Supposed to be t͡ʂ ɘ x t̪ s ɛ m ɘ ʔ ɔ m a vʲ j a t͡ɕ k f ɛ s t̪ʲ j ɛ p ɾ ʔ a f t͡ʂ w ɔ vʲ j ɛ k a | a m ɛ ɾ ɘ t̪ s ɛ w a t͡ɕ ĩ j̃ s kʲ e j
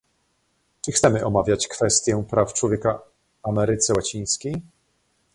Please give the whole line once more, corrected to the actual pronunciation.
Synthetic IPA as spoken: t͡ʂ ɘ x t̪ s ɛ m ɘ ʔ ɔ m a vʲ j a t͡ɕ k f ɛ s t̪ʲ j ɛ p ɾ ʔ a f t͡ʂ w ɔ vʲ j ɛ k a | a m ɛ ɾ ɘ t̪ s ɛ w a t͡ɕ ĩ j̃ s kʲ e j